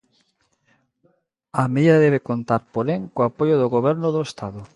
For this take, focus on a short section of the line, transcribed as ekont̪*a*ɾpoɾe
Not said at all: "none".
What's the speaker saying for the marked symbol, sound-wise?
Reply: a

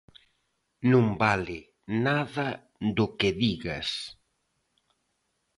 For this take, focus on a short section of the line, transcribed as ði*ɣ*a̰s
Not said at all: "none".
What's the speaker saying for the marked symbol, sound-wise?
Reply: ɣ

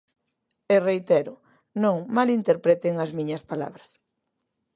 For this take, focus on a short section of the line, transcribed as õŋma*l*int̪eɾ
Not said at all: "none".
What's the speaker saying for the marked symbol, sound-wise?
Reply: l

